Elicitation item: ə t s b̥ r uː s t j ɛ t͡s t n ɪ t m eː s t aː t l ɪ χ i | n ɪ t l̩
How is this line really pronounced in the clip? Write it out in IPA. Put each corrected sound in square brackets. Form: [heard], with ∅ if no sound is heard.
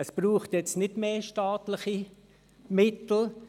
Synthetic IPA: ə [∅] s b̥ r uː [χ] t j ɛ t͡s t n ɪ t m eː [ʃ] t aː t l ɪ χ i | [m] ɪ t l̩